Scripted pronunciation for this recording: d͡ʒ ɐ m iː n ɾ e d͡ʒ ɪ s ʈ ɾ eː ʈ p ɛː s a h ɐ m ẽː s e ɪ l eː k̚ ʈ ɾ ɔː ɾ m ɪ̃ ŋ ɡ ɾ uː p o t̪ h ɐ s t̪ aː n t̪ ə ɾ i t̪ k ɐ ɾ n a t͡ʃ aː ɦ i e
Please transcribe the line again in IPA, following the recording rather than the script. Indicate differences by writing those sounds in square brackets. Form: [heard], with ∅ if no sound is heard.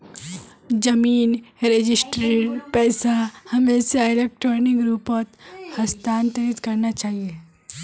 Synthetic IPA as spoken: d͡ʒ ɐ m iː n ɾ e d͡ʒ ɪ s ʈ ɾ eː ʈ p ɛː s a h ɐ m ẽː s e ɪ l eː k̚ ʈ ɾ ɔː ɾ [n] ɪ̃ ŋ ɡ ɾ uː p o t̪ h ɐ s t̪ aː n t̪ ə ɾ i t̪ k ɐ ɾ n a t͡ʃ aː ɦ i e